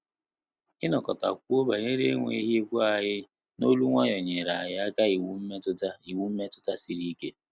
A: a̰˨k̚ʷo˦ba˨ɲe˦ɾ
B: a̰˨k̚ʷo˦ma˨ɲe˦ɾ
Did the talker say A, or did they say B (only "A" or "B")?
A